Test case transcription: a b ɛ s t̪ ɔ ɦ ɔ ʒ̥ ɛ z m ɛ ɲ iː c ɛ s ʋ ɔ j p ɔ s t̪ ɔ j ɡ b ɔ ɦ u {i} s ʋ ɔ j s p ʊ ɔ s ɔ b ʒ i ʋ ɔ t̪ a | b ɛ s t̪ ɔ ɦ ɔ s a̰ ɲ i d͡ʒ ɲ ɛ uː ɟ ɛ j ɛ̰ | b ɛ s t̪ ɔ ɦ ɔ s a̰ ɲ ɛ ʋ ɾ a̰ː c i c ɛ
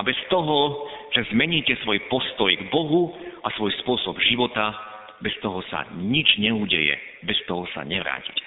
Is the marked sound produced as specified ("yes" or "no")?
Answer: no